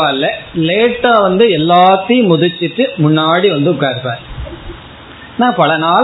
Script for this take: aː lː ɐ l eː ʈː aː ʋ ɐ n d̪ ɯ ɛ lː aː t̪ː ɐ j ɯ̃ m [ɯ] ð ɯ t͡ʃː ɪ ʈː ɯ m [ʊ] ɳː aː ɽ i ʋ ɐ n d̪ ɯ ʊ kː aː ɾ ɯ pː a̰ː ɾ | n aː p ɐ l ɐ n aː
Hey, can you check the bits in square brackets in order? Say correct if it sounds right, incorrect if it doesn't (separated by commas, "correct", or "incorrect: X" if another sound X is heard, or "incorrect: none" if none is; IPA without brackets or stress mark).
incorrect: ʊ, correct